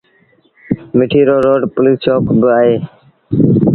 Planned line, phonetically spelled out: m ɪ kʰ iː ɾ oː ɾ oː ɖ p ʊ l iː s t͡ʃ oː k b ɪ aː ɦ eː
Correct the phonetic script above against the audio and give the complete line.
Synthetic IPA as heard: m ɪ ʈʰ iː ɾ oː ɾ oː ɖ p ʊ l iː s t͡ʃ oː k b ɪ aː ɦ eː